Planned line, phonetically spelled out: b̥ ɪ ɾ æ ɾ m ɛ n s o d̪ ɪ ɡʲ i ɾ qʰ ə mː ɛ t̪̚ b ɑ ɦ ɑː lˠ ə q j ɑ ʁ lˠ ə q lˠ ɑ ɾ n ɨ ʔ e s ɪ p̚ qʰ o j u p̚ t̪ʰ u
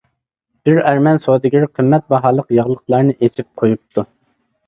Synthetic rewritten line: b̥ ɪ ɾ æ ɾ m ɛ n s o d̪ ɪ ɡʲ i ɾ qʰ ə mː ɛ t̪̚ b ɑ ɦ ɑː lˠ ə q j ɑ ʁ lˠ ə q lˠ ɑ ɾ n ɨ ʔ e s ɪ p̚ qʰ o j u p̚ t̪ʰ u